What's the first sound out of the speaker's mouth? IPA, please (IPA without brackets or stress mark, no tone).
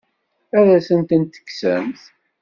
æ